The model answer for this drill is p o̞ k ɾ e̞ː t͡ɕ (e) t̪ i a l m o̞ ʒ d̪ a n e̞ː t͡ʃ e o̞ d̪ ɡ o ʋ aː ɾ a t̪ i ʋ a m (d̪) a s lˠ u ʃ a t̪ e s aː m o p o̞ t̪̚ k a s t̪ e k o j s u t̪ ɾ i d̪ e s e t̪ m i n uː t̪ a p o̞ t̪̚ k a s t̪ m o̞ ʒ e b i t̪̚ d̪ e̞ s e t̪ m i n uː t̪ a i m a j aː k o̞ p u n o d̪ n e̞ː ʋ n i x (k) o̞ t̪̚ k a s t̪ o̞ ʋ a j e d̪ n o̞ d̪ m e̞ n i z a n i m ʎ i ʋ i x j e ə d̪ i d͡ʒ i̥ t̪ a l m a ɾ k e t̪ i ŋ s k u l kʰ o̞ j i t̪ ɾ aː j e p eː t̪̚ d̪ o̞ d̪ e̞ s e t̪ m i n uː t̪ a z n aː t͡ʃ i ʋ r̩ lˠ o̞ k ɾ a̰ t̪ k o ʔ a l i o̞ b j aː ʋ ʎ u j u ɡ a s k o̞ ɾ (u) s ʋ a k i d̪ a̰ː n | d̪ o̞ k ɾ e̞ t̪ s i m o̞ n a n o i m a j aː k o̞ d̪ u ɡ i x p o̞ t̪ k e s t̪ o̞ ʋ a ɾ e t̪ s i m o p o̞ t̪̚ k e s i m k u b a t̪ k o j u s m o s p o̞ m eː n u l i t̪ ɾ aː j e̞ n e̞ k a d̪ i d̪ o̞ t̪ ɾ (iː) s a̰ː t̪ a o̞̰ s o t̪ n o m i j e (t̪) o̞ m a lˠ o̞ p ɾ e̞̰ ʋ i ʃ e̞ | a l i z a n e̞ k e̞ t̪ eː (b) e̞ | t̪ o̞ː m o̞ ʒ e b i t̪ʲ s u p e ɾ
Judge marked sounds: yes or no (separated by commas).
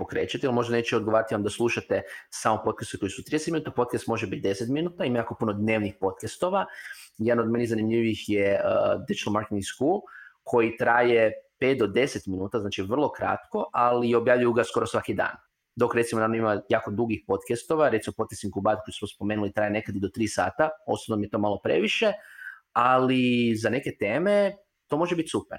no, yes, no, no, yes, yes, no